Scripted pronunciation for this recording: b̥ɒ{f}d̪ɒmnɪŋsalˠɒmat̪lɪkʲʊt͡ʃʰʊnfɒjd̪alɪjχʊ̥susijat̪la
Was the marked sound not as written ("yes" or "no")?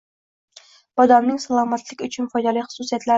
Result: yes